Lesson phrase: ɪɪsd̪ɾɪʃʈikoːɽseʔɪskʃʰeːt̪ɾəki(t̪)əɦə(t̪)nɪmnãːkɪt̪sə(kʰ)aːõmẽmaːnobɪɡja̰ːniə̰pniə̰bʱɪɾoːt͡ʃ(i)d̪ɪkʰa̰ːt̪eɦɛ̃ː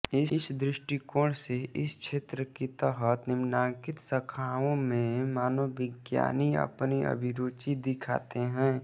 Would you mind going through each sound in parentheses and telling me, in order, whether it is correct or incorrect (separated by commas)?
correct, correct, correct, correct